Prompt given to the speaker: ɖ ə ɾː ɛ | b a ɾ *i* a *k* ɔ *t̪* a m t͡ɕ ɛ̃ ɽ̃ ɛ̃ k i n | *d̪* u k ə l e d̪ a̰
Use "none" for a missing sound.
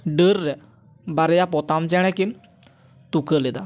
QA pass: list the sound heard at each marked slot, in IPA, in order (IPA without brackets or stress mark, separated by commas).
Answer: j, p, t̪, t̪